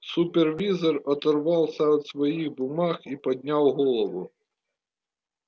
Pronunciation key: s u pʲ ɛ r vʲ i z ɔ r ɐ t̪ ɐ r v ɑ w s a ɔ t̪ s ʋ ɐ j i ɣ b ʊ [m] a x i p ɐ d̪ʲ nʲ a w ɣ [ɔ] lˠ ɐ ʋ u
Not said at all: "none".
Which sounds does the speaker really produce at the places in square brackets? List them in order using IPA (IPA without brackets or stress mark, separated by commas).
m, ɔ